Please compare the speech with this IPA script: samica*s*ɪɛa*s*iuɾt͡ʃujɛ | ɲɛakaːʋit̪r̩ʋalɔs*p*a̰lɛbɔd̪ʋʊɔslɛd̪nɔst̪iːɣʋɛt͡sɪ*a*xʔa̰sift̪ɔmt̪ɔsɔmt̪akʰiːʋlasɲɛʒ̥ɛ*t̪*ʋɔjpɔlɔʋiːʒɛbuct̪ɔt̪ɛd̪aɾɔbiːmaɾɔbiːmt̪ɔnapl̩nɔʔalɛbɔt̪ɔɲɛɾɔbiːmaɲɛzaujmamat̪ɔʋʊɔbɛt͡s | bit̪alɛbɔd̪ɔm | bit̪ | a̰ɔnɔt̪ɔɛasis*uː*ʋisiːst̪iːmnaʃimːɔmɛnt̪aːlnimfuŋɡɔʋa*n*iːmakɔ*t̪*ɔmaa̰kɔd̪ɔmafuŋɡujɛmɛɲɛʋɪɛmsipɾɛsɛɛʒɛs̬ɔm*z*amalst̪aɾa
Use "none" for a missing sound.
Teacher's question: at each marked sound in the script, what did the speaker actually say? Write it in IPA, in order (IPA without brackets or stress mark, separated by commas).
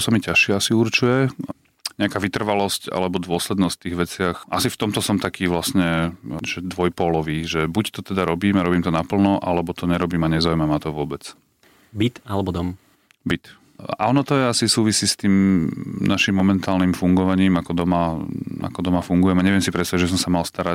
ʃ, s, c, a, d̪, uː, ɲ, d̪, s